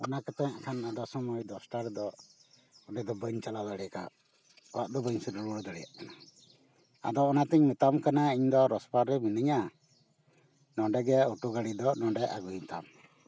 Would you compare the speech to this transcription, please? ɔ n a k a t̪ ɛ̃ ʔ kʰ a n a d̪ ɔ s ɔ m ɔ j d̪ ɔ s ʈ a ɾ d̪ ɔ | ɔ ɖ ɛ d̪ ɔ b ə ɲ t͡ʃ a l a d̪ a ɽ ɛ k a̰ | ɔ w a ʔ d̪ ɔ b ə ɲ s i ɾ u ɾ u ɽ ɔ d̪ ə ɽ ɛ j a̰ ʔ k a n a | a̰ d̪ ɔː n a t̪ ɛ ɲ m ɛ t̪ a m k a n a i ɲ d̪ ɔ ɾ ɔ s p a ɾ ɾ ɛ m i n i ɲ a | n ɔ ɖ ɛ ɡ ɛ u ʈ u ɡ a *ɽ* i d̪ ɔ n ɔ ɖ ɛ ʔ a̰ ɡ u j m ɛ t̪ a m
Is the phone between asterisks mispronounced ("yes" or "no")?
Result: no